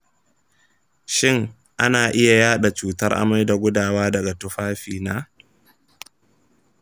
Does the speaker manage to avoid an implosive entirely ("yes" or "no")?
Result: no